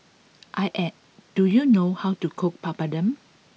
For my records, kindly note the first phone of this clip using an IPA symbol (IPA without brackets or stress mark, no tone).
ʔ